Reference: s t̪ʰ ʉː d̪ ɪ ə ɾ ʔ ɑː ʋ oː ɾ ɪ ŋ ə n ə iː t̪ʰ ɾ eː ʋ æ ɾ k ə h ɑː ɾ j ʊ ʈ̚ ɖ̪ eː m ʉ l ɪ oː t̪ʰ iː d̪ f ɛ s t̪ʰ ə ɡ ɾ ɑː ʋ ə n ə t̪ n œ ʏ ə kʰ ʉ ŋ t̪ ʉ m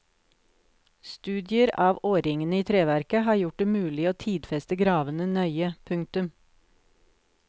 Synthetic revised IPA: s t̪ ʉː d̪ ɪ ə ɾ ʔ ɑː ʋ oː ɾ ɪ ŋ ə n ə iː t̪ʰ ɾ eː ʋ æ ɾ k ə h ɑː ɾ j ʊ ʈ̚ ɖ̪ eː m ʉː l ɪ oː t̪ʰ iː d̪ f ɛ s t̪ ə ɡ ɾ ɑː ʋ ə n ə n œ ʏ ə pʰ ʉ ŋ t̪ ʉ m